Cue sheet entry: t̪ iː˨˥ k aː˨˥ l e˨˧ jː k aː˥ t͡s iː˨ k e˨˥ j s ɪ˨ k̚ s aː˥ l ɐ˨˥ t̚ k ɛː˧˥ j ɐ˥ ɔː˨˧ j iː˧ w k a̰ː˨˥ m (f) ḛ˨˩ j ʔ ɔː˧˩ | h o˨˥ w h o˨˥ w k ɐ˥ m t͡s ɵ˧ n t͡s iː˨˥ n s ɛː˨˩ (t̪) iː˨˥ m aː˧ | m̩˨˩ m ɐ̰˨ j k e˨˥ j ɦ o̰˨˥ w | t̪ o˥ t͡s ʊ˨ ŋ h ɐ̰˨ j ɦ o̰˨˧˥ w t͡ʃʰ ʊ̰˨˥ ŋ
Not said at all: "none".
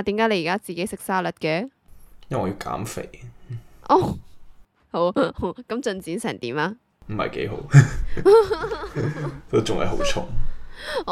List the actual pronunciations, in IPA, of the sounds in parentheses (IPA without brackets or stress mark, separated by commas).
f, t̪